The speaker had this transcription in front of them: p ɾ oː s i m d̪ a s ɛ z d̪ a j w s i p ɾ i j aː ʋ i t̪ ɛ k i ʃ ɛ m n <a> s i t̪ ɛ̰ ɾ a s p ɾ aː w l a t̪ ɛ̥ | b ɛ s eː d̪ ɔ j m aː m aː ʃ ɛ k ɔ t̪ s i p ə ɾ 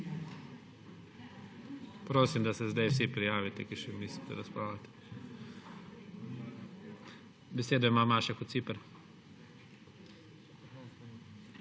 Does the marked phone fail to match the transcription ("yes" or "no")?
yes